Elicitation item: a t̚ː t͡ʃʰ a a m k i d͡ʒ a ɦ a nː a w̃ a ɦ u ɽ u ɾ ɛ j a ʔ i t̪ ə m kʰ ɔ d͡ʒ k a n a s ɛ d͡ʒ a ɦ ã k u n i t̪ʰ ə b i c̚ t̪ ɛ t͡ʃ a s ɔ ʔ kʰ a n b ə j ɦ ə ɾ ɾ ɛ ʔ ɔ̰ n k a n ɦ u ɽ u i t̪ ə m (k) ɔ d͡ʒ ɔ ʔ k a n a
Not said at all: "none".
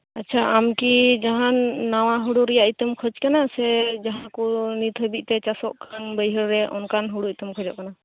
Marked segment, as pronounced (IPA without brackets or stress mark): kʰ